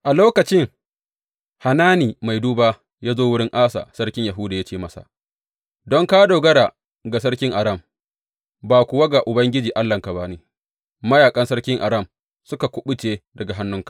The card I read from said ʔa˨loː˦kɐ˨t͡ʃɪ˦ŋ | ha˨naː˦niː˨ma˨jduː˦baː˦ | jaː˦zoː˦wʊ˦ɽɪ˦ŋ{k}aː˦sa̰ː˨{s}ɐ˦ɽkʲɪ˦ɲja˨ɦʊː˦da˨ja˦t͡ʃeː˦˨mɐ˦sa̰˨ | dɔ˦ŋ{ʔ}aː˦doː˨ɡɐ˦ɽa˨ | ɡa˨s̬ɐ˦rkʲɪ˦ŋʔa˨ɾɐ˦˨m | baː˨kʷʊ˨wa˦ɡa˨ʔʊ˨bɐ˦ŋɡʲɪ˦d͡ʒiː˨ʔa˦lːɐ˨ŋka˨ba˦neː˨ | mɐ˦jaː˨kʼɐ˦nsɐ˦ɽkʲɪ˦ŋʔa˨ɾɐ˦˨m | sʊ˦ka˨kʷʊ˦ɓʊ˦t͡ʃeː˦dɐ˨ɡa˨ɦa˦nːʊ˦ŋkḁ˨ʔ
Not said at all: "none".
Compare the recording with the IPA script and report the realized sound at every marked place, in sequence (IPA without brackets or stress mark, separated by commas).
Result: ʔ, s, k